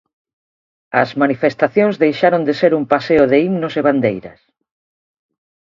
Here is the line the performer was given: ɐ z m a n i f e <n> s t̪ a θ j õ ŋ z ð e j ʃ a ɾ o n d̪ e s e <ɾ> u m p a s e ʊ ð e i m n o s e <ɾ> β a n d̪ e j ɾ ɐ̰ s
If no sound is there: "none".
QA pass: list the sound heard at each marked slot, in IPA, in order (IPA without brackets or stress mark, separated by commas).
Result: none, ɾ, none